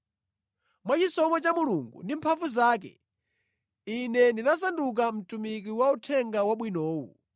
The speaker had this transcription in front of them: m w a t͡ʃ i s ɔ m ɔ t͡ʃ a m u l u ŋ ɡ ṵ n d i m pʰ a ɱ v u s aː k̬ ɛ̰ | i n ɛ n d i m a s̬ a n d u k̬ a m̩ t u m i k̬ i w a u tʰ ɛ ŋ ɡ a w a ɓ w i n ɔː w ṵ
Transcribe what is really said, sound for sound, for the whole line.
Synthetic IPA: m w a t͡ʃ i s ɔ m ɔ t͡ʃ a m u l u ŋ ɡ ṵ n d i m pʰ a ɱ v u z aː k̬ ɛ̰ | i n ɛ n d i n a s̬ a n d u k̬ a m̩ t u m i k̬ i w a u tʰ ɛ ŋ ɡ a w a ɓ w i n ɔː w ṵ